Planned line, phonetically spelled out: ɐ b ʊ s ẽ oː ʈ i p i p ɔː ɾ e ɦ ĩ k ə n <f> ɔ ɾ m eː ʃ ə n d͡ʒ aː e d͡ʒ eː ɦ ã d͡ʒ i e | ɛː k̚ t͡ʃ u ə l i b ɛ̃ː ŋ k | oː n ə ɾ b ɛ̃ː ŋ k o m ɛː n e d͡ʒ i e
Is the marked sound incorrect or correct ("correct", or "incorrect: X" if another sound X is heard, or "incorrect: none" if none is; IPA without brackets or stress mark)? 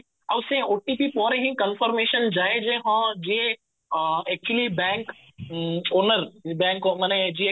correct